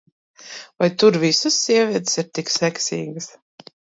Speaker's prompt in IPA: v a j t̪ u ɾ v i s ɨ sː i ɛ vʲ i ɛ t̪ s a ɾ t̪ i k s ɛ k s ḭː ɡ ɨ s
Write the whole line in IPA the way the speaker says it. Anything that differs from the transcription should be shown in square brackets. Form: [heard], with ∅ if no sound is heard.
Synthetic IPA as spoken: v a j t̪ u ɾ v i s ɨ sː i ɛ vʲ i ɛ t̪ s [i] ɾ t̪ i k s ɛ k s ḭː ɡ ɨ s